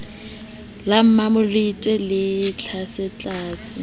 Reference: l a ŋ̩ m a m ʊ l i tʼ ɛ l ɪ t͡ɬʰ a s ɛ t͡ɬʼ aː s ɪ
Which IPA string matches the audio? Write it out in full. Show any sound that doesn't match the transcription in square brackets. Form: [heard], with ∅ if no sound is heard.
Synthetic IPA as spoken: l a [m̩] m a m ʊ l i tʼ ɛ l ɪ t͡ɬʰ a s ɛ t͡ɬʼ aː s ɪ